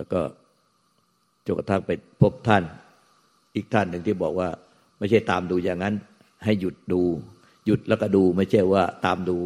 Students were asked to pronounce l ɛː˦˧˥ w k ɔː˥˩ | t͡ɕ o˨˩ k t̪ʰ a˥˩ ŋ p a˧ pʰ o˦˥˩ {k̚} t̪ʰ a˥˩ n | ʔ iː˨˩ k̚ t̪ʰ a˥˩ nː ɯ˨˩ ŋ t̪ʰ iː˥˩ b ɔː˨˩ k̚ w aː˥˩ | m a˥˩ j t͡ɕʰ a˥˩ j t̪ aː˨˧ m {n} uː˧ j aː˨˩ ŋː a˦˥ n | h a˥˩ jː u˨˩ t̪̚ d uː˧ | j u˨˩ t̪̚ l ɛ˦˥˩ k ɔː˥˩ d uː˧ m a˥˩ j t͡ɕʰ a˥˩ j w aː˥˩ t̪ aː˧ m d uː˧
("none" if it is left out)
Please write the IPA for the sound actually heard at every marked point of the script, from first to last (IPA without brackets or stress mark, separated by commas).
p̚, d